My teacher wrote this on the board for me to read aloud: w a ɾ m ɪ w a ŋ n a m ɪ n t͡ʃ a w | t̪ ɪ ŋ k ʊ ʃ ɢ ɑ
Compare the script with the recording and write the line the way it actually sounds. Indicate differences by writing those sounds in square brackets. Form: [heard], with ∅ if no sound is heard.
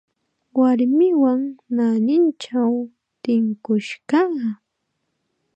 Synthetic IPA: w a ɾ m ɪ w a ŋ n a [n] ɪ n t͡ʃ a w | t̪ ɪ ŋ k ʊ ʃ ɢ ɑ